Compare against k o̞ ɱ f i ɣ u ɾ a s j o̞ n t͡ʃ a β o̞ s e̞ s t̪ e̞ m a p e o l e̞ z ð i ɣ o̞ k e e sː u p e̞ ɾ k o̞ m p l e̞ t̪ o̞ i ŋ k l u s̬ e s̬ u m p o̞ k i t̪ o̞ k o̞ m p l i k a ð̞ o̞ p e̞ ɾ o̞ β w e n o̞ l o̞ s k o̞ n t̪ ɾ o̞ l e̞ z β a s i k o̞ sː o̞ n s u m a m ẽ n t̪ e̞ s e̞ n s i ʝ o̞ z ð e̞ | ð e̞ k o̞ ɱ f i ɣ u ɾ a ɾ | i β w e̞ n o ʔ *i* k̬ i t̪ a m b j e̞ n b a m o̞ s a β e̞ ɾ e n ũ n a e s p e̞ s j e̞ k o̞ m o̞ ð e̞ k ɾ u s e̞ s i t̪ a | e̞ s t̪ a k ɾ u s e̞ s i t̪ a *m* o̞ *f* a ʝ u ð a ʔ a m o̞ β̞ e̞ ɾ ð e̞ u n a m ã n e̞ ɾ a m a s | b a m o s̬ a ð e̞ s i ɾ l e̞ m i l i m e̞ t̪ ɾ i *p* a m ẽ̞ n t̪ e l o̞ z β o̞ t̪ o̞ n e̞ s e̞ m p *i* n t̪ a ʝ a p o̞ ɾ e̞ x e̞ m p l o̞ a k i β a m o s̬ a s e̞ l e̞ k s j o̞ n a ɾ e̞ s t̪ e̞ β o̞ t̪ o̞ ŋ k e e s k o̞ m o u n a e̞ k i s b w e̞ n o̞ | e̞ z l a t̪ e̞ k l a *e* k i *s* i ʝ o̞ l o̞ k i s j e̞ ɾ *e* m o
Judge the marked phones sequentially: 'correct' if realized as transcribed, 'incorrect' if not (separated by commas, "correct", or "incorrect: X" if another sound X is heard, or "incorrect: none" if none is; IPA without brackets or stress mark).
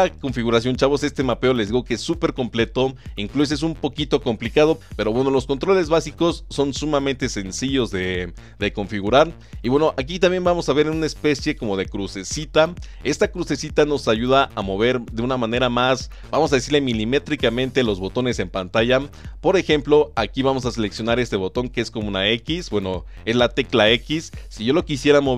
incorrect: a, incorrect: n, incorrect: s, incorrect: k, incorrect: a, correct, incorrect: sː, incorrect: a